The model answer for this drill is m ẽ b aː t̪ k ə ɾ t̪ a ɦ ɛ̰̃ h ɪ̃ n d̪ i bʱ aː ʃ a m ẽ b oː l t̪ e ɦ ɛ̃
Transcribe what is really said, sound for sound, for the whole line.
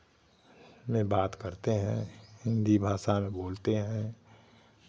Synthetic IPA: m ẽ b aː t̪ k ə ɾ t̪ e ɦ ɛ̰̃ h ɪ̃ n d̪ i bʱ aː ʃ a m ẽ b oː l t̪ e ɦ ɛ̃